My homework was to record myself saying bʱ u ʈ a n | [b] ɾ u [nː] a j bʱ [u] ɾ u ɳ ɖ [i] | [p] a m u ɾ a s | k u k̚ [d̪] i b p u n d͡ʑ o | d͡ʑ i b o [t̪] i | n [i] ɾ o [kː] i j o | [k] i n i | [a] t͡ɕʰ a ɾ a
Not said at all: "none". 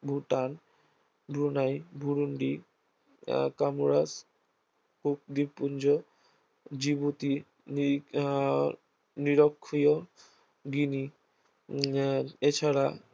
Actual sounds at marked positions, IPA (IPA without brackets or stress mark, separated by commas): b, n, u, i, k, d̪, t̪, i, kʰː, ɡ, e